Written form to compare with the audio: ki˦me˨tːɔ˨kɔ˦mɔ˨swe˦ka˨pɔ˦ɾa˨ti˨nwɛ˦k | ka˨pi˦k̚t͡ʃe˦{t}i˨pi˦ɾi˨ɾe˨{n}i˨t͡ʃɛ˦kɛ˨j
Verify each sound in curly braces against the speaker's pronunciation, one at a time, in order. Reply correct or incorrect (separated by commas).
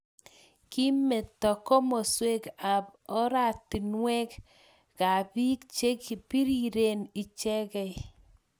incorrect, correct